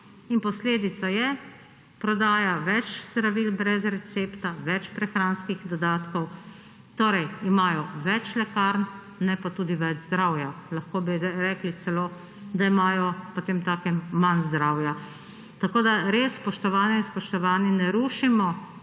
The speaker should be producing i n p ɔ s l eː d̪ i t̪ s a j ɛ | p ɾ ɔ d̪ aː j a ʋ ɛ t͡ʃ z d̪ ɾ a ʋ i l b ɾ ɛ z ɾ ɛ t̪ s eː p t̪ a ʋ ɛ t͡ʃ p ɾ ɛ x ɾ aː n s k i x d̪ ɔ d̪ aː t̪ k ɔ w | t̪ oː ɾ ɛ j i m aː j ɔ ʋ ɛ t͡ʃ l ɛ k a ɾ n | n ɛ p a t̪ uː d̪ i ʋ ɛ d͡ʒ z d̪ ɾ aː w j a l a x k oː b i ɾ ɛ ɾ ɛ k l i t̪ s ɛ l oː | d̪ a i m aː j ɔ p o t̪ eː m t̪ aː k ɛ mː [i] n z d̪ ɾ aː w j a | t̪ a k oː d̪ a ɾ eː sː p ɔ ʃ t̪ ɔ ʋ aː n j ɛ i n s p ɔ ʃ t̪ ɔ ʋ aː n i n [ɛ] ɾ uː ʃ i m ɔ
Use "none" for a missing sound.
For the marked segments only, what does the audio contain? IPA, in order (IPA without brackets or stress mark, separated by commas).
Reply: a, ɛ